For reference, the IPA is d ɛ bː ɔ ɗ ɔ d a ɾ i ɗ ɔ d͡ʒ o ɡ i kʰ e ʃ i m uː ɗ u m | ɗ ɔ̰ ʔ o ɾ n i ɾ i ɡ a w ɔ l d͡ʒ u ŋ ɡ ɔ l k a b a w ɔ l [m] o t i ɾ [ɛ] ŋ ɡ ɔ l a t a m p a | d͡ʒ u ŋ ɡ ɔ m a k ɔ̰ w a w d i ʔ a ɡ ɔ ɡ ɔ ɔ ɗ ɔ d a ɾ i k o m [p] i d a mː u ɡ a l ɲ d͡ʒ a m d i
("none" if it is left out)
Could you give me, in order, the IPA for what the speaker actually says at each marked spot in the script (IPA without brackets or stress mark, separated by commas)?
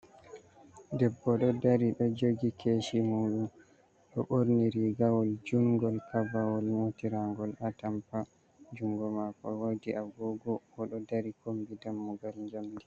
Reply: m, a, b